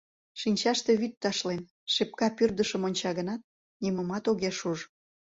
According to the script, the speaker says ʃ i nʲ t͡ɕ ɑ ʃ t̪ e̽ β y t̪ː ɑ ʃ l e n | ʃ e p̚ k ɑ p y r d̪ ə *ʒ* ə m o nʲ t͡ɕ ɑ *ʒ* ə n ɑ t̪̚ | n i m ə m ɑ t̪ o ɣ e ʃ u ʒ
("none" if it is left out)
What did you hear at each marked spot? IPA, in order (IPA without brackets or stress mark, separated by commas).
ʃ, ɣ